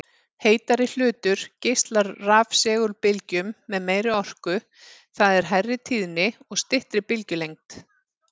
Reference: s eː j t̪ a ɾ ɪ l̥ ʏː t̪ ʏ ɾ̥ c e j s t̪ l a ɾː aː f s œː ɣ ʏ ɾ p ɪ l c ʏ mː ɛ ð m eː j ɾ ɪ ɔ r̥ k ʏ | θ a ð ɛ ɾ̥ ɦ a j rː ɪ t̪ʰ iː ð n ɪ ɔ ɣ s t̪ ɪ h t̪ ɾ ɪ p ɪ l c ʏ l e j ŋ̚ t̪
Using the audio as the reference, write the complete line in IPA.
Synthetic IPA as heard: h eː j t̪ a ɾ ɪ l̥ ʏː t̪ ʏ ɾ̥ c e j s t̪ l a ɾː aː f s ɛː ɣ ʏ ɾ p ɪ l c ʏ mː ɛ ð m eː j ɾ ɪ ɔ r̥ k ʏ | θ a ð ɛ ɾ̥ ɦ a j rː ɪ t̪ʰ iː ð n ɪ ɔ ɣ s t̪ ɪ h t̪ ɾ ɪ p ɪ l c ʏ l e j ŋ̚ t̪